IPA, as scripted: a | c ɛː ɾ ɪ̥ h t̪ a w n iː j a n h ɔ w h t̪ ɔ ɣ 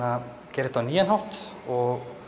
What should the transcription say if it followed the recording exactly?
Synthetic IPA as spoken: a | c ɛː ɾ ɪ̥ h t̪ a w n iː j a n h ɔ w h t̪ ɔ ɣ